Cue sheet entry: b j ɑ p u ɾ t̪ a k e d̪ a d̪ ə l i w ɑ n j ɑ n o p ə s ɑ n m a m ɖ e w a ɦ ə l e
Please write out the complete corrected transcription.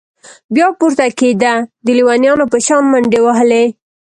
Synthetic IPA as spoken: b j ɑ p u ɾ t̪ a k e d̪ a d̪ ə l i w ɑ n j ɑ n o p ə ʃ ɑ n m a ɳ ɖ e w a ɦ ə l e